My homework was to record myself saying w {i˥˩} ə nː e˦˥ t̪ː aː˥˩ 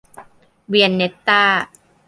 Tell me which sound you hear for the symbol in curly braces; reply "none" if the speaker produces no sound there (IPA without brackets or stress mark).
i˧